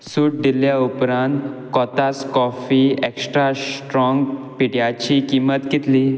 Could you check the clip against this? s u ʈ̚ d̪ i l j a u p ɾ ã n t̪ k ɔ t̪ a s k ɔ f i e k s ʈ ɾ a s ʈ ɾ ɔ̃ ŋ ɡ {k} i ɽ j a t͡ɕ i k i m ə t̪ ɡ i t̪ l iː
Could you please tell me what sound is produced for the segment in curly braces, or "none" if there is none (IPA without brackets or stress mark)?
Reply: p